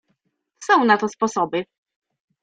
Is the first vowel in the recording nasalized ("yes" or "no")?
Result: yes